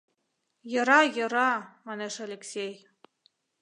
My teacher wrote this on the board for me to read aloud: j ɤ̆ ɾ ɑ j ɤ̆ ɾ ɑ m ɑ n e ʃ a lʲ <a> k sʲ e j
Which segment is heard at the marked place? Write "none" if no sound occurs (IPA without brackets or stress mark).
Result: e